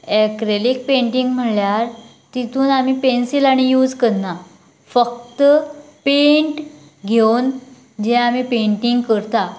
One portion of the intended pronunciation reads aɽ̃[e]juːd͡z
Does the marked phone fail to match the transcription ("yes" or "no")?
yes